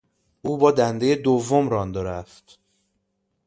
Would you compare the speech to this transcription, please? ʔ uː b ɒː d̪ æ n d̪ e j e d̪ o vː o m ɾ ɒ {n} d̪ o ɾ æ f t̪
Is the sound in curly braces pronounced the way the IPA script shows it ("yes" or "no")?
yes